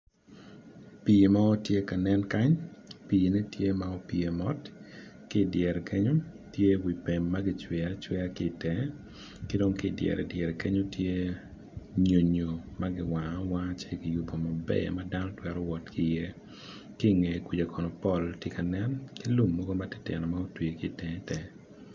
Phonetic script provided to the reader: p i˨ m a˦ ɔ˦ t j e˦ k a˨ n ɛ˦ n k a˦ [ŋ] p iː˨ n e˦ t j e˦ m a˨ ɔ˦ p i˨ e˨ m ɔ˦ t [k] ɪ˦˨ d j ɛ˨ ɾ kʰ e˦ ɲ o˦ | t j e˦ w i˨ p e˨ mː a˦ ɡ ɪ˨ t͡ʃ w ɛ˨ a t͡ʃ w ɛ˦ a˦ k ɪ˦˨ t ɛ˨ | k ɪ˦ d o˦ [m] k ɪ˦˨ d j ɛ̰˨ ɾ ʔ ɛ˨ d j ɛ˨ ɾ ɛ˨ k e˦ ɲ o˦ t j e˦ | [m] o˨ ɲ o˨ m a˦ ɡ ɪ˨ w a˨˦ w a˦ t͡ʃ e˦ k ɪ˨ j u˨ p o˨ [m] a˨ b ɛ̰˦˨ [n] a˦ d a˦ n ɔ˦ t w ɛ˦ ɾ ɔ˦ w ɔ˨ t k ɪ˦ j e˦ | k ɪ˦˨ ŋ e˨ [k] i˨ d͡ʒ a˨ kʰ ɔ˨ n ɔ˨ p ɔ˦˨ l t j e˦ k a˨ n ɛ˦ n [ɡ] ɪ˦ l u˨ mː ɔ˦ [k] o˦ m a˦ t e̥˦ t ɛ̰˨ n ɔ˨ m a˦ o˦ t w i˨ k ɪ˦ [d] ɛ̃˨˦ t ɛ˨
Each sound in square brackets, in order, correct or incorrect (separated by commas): incorrect, correct, incorrect, incorrect, correct, incorrect, correct, incorrect, incorrect, incorrect